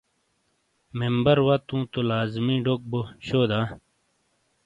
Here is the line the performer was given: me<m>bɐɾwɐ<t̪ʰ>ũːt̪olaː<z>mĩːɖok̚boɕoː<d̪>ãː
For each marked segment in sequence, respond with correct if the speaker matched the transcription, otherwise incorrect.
correct, incorrect, correct, correct

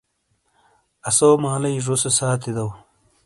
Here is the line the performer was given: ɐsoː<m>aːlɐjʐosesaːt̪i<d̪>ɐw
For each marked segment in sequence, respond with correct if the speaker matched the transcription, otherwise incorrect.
correct, correct

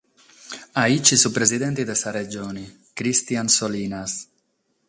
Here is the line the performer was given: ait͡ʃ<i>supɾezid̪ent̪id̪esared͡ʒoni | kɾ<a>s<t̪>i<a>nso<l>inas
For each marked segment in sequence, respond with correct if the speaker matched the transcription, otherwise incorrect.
correct, incorrect, correct, correct, correct

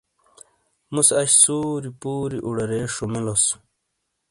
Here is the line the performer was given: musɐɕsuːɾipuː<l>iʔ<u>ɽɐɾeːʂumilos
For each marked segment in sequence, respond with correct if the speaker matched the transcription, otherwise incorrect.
incorrect, correct

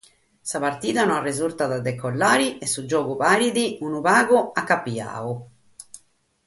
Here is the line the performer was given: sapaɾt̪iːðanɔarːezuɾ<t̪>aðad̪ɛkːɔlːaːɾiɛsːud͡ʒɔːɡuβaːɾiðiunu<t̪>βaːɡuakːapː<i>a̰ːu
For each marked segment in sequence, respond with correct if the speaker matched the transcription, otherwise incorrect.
correct, incorrect, correct

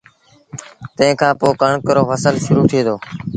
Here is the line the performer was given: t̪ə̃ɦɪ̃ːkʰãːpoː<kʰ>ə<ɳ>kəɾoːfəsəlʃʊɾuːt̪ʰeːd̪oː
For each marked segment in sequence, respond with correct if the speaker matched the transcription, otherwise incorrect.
incorrect, correct

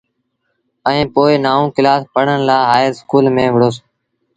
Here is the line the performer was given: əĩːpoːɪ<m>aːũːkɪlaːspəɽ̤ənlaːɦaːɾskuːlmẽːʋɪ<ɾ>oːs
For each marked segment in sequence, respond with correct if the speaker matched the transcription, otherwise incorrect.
incorrect, incorrect

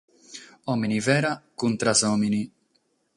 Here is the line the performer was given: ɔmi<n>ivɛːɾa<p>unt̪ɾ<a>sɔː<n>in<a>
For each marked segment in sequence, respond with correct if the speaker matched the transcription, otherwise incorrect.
correct, incorrect, correct, incorrect, incorrect

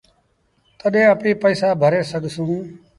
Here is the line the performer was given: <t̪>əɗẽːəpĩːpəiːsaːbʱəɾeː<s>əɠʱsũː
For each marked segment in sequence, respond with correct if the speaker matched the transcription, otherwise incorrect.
correct, correct

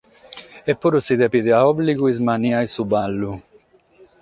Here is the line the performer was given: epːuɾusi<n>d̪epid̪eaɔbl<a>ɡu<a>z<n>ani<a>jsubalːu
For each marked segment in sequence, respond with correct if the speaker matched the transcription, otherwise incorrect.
incorrect, incorrect, incorrect, incorrect, correct

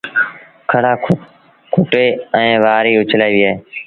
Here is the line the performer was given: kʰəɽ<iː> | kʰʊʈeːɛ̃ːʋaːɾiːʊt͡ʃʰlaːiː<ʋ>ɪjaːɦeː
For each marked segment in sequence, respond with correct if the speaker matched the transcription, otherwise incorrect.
incorrect, correct

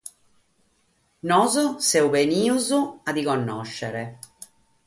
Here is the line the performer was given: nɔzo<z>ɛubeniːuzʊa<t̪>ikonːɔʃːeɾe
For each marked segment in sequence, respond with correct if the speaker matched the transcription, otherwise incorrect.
incorrect, incorrect

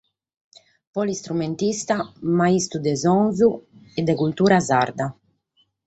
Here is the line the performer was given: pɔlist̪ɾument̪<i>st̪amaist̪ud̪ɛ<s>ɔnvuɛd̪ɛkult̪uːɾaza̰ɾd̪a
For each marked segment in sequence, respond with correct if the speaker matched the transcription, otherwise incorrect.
correct, incorrect

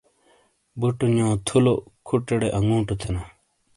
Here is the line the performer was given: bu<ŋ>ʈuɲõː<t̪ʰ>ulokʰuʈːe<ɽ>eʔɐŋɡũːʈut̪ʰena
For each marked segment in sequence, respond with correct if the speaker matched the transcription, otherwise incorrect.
incorrect, correct, correct

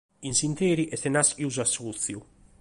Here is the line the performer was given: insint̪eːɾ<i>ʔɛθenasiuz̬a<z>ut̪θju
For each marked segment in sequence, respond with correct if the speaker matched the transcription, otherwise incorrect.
correct, incorrect

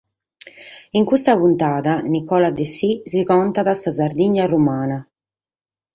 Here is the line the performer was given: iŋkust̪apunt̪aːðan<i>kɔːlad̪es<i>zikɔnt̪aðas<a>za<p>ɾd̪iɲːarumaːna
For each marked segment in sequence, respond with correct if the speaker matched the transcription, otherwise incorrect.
correct, correct, correct, incorrect

